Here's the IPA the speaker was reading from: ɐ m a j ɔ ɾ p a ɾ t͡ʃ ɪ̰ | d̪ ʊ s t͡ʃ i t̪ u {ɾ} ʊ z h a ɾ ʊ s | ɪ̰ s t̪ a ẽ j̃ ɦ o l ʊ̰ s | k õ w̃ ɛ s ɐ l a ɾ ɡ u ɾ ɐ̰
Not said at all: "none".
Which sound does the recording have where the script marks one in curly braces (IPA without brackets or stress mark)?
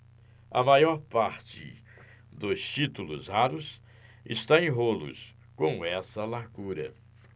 l